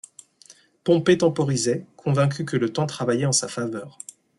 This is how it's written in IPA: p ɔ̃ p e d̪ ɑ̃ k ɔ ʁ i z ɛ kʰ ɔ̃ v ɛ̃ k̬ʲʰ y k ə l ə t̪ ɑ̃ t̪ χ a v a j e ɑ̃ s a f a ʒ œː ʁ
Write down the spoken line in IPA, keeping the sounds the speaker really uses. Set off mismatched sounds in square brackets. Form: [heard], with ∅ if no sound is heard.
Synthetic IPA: p ɔ̃ p e [t̪] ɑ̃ [p] ɔ ʁ i z ɛ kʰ ɔ̃ v ɛ̃ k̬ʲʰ y k ə l ə t̪ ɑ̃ t̪ χ a v a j [ɛ] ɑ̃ s a f a [v] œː ʁ